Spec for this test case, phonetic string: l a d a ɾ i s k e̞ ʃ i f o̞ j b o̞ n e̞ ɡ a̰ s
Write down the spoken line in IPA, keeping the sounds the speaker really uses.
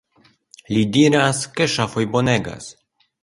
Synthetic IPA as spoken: l i d i ɾ a s k e̞ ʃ a f o̞ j b o̞ n e̞ ɡ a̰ s